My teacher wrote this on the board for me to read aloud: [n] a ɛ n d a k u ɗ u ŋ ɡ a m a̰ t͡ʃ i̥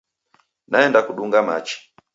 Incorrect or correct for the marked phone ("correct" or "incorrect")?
correct